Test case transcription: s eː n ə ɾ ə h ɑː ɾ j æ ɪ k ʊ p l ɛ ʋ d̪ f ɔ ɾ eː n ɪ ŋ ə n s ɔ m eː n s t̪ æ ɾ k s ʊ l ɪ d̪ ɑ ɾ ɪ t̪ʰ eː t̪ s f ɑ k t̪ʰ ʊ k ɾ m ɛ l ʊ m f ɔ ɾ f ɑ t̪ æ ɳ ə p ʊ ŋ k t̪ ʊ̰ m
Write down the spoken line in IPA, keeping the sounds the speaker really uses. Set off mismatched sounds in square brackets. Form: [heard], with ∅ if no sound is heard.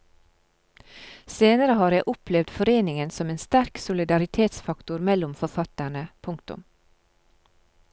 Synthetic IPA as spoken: s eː n ə ɾ ə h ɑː ɾ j æ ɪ [ʔ] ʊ p l ɛ ʋ d̪ f ɔ ɾ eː n ɪ ŋ ə n s ɔ m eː n s t̪ æ ɾ k s ʊ l ɪ d̪ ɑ ɾ ɪ t̪ʰ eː t̪ s f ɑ k [t̪] ʊ [∅] ɾ m ɛ l ʊ m f ɔ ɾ f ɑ t̪ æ ɳ ə [pʰ] ʊ ŋ k t̪ ʊ̰ m